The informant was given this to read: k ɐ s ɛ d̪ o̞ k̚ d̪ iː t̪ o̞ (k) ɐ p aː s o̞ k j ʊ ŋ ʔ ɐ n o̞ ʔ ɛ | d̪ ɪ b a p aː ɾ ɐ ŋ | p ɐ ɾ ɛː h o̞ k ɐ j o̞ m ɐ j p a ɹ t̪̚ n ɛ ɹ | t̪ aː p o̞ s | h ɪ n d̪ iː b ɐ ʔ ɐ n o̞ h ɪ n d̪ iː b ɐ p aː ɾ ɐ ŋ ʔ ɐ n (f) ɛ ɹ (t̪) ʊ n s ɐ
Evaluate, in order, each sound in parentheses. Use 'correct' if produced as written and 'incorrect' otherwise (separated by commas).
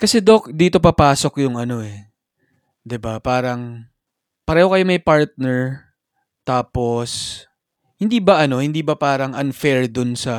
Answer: incorrect, correct, incorrect